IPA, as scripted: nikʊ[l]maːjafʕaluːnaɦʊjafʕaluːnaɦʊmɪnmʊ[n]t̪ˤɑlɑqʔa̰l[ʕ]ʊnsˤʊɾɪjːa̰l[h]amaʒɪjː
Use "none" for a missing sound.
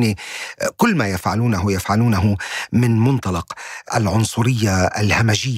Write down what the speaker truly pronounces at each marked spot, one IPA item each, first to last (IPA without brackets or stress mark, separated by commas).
lː, n, ʕ, h